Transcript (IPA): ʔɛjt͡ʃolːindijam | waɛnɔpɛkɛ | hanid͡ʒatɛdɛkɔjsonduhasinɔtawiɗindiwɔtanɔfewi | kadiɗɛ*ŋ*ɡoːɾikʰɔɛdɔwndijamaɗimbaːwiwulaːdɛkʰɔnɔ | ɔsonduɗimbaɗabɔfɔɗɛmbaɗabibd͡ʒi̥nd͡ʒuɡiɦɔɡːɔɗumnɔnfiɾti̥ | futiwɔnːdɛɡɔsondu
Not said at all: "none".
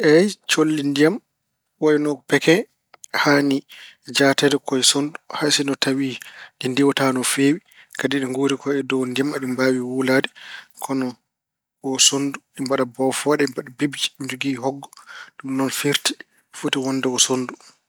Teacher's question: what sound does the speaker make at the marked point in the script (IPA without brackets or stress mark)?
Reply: ŋ